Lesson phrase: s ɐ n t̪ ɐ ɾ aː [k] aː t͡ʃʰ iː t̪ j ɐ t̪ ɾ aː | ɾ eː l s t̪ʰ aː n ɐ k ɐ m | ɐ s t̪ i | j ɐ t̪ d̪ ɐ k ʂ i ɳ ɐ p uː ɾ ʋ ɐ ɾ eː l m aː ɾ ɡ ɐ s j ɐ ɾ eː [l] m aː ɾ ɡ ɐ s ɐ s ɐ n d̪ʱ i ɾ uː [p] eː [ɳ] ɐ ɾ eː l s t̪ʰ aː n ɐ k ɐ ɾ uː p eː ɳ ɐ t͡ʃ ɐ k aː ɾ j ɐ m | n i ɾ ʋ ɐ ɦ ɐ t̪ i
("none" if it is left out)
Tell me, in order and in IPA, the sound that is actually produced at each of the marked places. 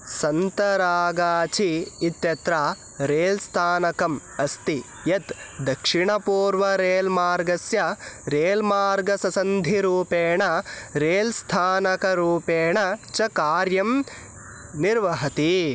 ɡ, l, p, ɳ

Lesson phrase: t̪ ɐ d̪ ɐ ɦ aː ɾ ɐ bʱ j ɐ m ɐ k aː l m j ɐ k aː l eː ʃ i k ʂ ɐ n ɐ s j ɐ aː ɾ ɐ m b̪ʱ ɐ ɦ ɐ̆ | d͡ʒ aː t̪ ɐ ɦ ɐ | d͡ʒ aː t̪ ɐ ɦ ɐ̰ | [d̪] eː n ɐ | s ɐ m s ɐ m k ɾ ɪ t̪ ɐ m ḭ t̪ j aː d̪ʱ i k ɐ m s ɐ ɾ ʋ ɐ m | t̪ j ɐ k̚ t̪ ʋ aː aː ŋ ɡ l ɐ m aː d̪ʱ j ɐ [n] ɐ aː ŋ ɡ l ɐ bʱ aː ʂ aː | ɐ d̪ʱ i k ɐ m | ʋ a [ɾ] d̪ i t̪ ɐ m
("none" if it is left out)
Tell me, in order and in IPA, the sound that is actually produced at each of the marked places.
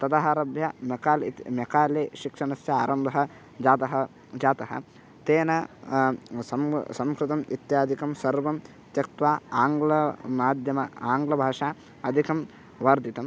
t̪, m, ɾ

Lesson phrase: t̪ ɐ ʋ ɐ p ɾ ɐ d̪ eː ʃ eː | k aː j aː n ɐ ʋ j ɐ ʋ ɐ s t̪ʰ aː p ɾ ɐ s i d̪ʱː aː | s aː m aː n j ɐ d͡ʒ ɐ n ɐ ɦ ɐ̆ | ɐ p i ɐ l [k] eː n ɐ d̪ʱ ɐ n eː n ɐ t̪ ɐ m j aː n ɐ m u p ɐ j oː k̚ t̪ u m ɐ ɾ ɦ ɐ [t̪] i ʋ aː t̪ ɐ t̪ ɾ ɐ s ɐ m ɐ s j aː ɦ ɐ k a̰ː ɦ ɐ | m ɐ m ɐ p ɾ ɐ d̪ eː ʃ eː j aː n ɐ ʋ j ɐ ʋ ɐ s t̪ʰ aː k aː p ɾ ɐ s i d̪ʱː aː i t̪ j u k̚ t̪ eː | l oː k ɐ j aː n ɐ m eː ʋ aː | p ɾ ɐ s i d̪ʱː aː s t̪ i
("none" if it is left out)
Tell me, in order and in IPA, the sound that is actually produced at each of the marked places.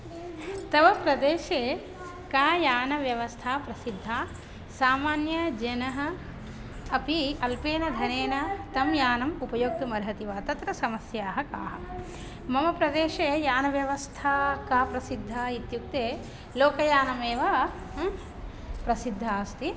p, t̪

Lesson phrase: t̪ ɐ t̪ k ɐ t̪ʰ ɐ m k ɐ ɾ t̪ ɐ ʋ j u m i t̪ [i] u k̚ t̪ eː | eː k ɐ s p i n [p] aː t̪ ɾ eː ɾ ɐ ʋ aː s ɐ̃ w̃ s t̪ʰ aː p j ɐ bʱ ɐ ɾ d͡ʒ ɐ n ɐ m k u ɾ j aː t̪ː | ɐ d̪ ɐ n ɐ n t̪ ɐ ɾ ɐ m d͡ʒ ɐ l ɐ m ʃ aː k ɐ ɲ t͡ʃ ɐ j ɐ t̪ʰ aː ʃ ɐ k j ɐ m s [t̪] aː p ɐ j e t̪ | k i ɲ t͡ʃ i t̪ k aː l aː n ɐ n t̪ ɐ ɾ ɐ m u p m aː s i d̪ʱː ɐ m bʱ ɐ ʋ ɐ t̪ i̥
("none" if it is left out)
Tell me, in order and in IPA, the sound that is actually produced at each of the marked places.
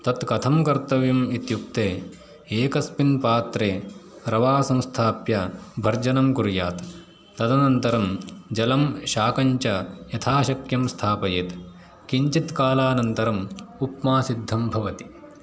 j, p, t̪ʰ

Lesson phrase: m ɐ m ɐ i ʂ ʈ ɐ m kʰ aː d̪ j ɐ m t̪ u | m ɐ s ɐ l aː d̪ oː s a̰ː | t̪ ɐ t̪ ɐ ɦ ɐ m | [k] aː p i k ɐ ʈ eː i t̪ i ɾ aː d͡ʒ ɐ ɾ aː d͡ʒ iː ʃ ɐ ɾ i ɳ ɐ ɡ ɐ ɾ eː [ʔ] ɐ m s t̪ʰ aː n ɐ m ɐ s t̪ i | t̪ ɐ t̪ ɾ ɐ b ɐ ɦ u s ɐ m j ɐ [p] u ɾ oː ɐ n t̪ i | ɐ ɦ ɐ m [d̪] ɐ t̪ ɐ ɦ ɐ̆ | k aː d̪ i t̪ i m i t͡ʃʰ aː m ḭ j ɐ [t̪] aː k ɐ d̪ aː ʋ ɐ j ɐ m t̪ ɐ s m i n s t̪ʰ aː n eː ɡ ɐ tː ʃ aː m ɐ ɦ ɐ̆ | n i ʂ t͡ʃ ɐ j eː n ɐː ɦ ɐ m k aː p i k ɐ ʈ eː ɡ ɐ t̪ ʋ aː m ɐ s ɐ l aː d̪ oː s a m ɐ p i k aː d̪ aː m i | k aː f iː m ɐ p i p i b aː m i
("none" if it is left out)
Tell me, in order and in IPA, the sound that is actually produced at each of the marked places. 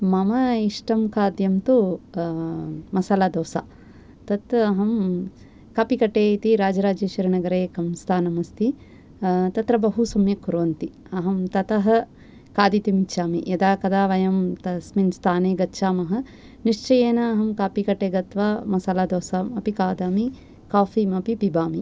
k, k, k, t̪, d̪

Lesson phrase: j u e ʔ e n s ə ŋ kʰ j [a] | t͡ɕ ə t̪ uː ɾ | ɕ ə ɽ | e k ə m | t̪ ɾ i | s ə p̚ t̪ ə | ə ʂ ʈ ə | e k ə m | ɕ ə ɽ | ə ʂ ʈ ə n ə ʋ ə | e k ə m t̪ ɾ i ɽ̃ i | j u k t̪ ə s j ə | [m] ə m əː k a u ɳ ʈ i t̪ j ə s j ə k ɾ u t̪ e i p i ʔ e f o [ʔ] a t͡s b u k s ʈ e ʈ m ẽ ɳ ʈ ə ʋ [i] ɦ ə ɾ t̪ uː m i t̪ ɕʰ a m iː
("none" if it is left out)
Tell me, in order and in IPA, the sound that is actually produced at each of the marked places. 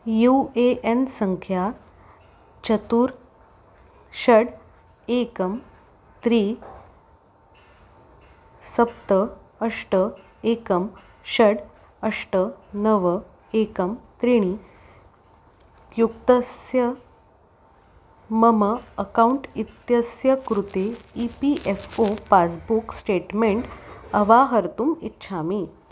a, m, p, a

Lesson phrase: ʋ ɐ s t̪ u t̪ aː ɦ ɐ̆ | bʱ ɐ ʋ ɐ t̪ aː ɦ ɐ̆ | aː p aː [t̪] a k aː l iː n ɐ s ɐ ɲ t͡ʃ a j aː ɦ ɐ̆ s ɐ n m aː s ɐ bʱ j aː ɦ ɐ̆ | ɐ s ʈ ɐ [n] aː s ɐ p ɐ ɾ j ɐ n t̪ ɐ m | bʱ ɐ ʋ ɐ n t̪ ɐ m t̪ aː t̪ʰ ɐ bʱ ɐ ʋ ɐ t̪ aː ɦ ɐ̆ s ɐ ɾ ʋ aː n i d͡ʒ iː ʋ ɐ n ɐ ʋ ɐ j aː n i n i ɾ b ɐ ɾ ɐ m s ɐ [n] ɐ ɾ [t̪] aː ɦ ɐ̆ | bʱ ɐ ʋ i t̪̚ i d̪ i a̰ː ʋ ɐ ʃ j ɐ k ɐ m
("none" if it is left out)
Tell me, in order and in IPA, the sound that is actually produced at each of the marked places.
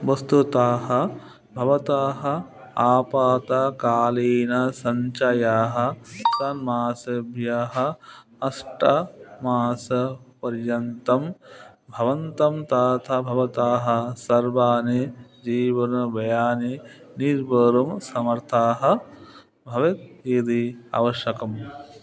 t̪, m, m, t̪ʰ

